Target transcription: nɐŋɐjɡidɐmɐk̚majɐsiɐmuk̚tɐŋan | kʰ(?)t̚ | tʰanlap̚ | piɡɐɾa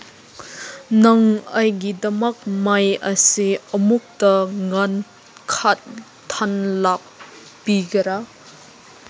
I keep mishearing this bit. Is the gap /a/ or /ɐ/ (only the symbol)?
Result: a